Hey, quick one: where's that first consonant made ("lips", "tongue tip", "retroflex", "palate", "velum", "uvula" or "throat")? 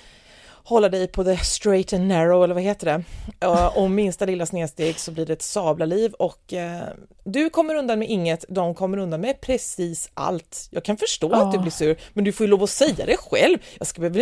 throat